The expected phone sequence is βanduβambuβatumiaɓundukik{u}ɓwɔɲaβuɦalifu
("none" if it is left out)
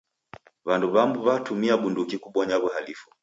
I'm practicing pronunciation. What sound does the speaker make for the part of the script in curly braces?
u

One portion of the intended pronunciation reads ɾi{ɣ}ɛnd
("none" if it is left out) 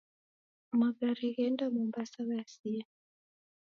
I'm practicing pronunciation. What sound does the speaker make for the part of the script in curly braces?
ɣ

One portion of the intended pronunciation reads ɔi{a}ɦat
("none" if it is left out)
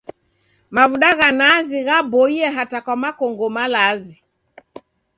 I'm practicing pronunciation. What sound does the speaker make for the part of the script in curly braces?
ɛ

